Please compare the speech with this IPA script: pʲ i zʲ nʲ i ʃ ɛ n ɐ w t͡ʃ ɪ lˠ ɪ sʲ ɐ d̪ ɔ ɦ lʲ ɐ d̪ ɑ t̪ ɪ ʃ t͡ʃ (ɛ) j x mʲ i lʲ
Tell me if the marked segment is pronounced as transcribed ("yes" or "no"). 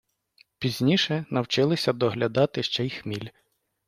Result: yes